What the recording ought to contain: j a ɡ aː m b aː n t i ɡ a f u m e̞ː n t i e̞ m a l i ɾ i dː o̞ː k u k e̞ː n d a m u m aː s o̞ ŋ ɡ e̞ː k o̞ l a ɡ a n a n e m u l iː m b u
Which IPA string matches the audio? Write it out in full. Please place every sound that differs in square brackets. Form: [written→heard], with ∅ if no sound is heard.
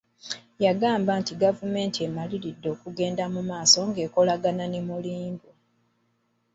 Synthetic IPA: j a ɡ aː m b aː n t i ɡ a [f→v] u m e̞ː n t i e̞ m a l i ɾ i dː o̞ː k u [k→ɡ] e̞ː n d a m u m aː s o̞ ŋ ɡ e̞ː k o̞ l a ɡ a n a n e m u l iː m b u